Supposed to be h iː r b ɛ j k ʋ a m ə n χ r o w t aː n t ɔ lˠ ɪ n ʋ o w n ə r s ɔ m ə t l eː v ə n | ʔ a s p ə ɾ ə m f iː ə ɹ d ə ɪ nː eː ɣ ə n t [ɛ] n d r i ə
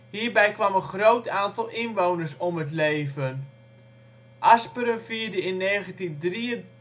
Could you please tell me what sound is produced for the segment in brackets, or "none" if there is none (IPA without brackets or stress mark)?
i